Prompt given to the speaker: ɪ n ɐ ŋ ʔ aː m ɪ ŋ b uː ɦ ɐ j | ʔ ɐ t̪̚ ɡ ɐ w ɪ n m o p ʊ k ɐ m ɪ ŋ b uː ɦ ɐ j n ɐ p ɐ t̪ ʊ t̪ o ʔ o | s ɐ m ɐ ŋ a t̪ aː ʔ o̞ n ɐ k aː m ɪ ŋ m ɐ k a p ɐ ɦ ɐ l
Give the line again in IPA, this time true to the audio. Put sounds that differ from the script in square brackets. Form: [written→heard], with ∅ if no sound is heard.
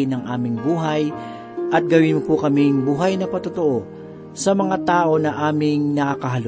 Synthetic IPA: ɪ n ɐ ŋ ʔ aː m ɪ ŋ b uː ɦ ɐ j | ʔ ɐ t̪̚ ɡ ɐ w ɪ n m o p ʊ k ɐ m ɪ ŋ b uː ɦ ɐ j n ɐ p ɐ t̪ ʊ t̪ o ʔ o | s ɐ m ɐ ŋ a t̪ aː ʔ o̞ n ɐ [k→ʔ] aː m ɪ ŋ [m→n] ɐ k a [p→k] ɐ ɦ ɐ l